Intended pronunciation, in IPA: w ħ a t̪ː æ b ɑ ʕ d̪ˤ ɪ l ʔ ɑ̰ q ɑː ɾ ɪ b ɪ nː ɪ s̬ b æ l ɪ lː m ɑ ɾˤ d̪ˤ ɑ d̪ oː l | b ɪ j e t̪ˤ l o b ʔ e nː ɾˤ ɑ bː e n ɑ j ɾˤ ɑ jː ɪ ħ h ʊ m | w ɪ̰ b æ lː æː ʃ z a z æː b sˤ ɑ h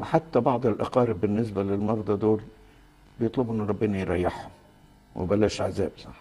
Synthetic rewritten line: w ħ a t̪ː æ b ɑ ʕ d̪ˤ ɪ l ʔ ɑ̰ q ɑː ɾ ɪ b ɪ nː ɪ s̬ b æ l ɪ l m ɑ ɾˤ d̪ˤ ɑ d̪ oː l | b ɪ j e t̪ˤ l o b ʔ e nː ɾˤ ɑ bː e n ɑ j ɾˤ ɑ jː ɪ ħ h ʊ m | w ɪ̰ b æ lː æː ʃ ʕ a z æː b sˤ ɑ ħ

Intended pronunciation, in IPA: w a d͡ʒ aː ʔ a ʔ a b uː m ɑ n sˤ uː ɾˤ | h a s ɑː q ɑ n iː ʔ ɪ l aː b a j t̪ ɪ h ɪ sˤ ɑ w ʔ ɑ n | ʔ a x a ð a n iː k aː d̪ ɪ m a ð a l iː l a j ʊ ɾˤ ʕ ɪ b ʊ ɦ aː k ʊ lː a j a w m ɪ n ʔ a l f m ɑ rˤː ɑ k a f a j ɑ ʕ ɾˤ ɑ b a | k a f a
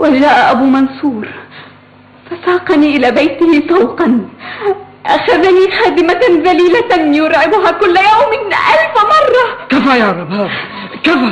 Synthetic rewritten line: w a d͡ʒ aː ʔ a ʔ a b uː m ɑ n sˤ uː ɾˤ | f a s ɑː q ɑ n iː ʔ ɪ l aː b a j t̪ ɪ h ɪ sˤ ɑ w q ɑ n | ʔ a x a ð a n iː x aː d̪ ɪ m a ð a l iː l a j ʊ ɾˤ ʕ ɪ b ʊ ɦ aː k ʊ lː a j a w m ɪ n ʔ a l f m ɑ rˤː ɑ k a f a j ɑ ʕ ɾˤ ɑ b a | k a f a

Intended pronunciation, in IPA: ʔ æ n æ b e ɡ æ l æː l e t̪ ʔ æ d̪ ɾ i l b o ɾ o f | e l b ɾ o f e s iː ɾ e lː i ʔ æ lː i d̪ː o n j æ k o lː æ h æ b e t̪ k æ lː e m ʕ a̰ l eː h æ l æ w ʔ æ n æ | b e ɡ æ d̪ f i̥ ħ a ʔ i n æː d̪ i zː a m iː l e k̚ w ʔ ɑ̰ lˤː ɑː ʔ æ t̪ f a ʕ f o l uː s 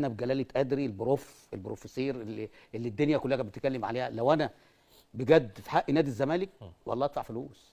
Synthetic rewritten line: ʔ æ n æ b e ɡ æ l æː l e t̪ ʔ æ d̪ ɾ i l b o ɾ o f | e l b ɾ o f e s iː ɾ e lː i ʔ e lː i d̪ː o n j æ k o lː æ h æ b e t̪ k æ lː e m ʕ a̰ l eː h æ l æ w ʔ æ n æ | b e ɡ æ d̪ f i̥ ħ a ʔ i n æː d̪ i zː æ m æː l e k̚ w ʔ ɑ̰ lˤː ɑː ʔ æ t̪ f a ʕ f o l uː s

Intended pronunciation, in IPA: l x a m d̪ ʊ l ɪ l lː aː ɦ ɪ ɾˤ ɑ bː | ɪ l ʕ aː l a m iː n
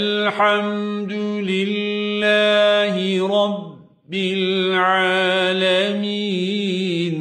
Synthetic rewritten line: l ħ a m d̪ ʊ l ɪ l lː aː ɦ ɪ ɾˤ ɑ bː | ɪ l ʕ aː l a m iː n

